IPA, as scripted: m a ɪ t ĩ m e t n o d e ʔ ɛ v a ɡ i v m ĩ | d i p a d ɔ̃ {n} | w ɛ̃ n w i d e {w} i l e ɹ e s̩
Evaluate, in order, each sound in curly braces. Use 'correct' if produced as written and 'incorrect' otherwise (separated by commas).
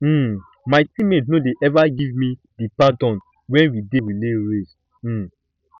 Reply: correct, correct